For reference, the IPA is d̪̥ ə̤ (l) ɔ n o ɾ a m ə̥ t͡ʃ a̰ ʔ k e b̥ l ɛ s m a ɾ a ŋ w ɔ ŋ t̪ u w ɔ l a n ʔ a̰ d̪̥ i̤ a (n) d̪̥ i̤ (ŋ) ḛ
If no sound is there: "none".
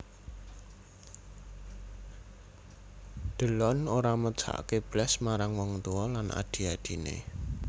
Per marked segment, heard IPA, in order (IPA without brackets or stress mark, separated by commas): l, none, n